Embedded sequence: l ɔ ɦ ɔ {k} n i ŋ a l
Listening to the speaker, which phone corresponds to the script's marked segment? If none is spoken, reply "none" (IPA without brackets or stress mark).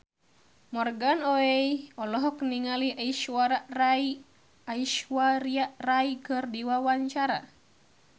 k